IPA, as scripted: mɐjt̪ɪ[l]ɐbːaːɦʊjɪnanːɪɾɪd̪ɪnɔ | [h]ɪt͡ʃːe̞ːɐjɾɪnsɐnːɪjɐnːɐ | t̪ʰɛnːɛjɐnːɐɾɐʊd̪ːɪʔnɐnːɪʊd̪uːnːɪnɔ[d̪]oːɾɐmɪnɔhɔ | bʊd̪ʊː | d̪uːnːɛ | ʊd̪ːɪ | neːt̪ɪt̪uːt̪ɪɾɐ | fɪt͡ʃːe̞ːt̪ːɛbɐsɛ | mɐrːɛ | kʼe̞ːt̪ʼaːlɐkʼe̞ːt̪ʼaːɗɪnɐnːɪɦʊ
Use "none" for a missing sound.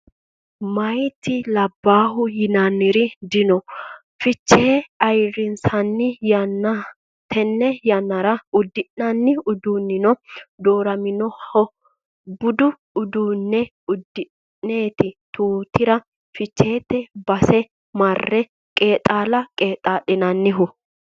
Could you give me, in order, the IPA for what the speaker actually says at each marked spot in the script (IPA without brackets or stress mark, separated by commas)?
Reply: l, f, d̪